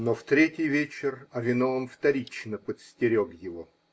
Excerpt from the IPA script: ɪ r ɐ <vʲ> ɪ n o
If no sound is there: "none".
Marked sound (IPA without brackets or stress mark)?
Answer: vʲ